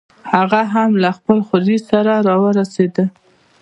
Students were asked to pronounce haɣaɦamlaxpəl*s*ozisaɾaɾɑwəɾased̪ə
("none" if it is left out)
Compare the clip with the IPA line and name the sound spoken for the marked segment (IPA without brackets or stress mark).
x